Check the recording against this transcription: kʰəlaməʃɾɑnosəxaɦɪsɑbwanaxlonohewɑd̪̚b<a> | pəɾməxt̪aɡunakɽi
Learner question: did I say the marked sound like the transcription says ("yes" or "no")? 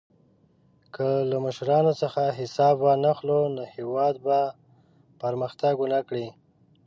yes